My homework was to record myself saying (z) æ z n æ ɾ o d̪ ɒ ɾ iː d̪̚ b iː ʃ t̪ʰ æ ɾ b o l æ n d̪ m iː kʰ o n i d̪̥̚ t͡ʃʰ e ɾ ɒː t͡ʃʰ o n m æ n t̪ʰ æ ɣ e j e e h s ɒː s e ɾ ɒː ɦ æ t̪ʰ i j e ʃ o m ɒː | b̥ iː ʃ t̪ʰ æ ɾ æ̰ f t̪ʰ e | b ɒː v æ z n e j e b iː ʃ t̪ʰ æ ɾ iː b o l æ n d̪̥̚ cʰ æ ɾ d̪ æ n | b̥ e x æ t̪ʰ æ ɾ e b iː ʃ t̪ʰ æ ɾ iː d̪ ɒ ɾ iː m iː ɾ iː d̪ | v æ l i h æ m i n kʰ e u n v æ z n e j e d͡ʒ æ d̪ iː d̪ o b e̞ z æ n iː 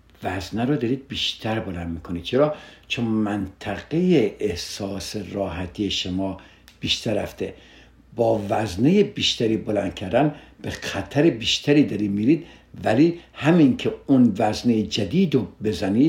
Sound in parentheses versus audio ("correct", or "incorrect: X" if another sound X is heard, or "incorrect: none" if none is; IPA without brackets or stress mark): incorrect: v